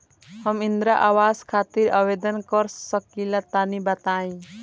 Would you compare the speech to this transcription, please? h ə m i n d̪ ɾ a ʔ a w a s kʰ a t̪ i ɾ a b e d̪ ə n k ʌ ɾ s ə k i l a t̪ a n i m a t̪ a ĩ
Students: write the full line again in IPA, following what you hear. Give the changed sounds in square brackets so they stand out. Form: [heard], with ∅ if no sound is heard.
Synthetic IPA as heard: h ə m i n d̪ ɾ a ʔ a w a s kʰ a t̪ i ɾ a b e d̪ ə n k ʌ ɾ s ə k i l a t̪ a n i [b] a t̪ a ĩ